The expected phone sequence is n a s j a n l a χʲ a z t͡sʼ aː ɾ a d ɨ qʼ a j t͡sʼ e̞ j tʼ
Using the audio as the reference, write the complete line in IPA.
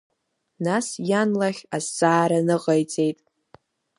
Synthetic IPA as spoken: n a s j a n l a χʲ a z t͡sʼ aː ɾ a n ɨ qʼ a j t͡sʼ e̞ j tʼ